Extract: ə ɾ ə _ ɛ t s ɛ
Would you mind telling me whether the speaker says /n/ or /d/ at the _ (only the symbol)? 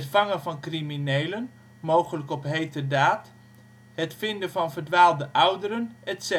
n